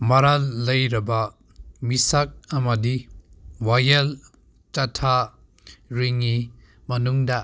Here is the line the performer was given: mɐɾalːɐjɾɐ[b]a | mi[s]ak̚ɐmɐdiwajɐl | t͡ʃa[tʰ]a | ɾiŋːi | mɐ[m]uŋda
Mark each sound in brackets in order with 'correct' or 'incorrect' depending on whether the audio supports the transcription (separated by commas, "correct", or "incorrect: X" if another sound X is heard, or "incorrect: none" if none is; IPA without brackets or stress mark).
correct, correct, correct, incorrect: n